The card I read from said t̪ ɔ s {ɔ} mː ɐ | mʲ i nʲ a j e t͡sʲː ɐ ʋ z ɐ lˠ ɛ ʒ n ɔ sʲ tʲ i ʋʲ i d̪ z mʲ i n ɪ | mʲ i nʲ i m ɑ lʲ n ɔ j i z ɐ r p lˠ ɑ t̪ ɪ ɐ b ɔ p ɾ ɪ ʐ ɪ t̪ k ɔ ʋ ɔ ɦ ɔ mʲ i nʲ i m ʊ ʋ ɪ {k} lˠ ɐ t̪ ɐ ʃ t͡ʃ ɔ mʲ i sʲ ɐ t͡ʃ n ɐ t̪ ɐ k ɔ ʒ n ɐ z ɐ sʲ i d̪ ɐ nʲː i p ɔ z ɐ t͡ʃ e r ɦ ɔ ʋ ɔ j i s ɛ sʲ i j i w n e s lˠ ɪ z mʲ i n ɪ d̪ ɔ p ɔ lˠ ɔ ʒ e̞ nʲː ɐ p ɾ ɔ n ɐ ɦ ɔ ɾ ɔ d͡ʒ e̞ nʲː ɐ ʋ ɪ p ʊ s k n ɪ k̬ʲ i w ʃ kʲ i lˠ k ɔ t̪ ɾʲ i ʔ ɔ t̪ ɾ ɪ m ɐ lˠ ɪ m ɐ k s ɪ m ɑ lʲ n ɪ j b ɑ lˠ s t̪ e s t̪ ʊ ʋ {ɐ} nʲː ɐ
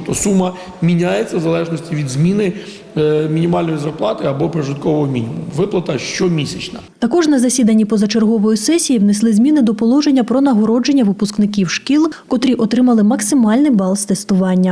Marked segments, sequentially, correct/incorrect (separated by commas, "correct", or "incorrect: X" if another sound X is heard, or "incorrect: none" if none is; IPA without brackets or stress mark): incorrect: u, incorrect: p, incorrect: ɑ